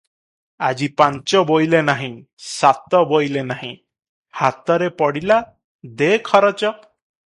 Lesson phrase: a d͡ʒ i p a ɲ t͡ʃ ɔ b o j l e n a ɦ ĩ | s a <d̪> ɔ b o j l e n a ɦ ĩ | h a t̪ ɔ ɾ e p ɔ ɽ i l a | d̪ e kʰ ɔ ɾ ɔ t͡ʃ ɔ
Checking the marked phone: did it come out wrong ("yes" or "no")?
yes